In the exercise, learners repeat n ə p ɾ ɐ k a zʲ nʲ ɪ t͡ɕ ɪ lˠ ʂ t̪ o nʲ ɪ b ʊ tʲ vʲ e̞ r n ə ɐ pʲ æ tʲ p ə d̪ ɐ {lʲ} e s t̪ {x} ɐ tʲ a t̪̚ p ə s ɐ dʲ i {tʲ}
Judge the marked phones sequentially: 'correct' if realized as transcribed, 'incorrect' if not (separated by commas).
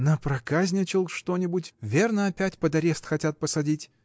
incorrect, correct, correct